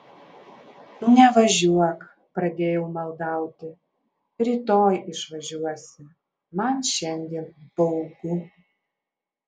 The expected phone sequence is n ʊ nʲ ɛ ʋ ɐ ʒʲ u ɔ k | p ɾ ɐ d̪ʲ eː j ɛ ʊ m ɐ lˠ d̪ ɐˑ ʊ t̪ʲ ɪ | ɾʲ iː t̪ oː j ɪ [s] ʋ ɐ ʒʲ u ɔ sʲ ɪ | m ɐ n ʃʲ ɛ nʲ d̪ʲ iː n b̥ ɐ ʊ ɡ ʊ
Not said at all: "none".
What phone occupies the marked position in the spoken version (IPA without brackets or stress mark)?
ʃ